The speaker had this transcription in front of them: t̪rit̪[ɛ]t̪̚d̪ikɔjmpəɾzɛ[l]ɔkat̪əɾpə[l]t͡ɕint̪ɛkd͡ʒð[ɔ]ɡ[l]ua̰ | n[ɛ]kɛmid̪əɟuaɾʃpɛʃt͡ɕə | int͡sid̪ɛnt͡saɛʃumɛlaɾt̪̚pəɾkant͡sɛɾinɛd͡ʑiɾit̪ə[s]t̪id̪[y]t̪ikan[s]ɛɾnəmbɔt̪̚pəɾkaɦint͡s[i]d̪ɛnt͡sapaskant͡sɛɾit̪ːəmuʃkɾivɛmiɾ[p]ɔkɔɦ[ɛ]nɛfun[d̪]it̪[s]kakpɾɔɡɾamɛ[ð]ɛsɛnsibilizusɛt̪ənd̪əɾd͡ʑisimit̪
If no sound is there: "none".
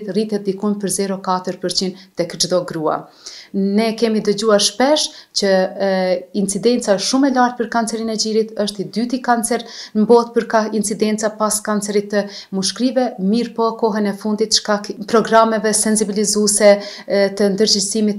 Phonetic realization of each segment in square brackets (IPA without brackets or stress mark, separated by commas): ɛ, ɾ, ɾ, ɔ, ɾ, ɛ, ʃ, y, t͡s, i, p, ɛ, d̪, ʃ, v